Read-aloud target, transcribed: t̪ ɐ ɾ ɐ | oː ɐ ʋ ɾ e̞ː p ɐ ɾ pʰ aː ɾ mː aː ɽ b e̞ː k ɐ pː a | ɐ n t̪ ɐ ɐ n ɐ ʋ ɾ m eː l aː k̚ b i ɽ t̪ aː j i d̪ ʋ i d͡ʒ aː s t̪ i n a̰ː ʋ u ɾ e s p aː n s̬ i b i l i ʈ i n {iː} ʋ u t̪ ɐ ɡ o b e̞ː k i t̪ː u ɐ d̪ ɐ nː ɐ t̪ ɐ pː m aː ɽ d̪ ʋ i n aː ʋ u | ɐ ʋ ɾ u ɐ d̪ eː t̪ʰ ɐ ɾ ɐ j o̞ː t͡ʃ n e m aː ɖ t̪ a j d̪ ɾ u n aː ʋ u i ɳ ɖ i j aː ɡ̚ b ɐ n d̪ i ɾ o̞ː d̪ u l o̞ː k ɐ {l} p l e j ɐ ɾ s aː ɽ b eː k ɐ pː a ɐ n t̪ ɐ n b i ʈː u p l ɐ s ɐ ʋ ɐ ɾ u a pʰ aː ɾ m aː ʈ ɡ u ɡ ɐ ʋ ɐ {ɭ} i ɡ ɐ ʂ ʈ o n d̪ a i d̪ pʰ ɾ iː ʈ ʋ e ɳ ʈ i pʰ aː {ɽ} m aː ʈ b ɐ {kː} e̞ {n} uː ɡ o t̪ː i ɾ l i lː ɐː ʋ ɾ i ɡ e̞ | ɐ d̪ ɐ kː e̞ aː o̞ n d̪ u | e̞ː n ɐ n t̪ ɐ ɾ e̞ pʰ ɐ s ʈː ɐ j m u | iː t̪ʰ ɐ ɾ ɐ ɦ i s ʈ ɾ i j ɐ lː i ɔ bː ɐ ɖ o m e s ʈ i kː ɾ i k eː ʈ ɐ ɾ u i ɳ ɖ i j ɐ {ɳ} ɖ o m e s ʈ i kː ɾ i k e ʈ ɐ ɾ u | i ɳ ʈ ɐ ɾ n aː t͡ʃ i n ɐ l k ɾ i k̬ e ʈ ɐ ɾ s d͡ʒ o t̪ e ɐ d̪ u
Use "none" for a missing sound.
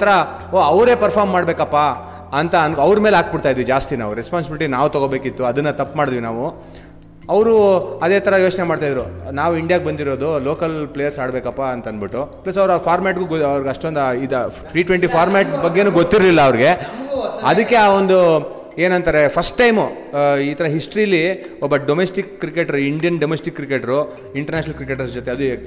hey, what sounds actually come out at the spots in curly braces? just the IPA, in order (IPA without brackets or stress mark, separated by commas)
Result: aː, l, ɾ, ɾ, ɡː, n, n